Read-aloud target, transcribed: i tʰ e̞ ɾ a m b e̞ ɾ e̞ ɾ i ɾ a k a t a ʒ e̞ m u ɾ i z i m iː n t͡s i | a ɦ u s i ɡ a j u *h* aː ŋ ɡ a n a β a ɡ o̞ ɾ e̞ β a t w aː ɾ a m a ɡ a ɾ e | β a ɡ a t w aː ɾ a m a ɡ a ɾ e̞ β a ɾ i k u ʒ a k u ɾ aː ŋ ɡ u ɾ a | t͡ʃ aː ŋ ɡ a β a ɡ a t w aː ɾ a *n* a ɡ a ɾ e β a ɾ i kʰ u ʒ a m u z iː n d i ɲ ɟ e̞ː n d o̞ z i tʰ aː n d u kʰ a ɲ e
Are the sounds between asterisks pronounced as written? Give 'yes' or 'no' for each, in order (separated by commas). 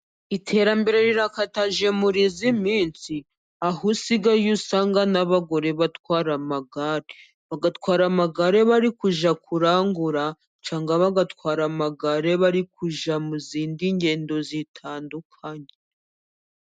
no, no